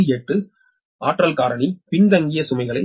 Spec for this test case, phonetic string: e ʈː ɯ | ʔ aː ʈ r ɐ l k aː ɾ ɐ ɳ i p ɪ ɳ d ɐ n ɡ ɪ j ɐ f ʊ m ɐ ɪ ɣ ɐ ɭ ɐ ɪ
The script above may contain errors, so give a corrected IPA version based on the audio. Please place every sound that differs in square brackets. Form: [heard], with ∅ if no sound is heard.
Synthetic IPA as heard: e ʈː ɯ | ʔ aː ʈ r ɐ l k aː ɾ ɐ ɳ i p ɪ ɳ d ɐ [ŋ] ɡ ɪ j ɐ [s] ʊ m ɐ ɪ ɣ ɐ ɭ ɐ ɪ